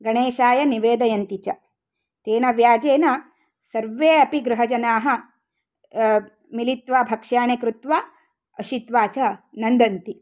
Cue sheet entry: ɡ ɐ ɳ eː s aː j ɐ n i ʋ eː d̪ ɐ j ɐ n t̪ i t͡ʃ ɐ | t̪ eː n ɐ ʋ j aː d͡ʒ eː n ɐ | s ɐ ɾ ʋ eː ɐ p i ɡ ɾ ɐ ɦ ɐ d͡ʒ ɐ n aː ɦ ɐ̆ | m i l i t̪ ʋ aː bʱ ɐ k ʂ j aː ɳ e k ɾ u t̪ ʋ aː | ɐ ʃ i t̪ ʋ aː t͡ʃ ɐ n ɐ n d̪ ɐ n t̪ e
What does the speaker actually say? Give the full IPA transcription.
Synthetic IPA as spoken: ɡ ɐ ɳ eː ʃ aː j ɐ n i ʋ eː d̪ ɐ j ɐ n t̪ i t͡ʃ ɐ | t̪ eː n ɐ ʋ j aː d͡ʒ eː n ɐ | s ɐ ɾ ʋ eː ɐ p i ɡ ɾ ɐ ɦ ɐ d͡ʒ ɐ n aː ɦ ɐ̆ | m i l i t̪ ʋ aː bʱ ɐ k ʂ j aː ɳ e k ɾ u t̪ ʋ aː | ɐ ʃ i t̪ ʋ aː t͡ʃ ɐ n ɐ n d̪ ɐ n t̪ i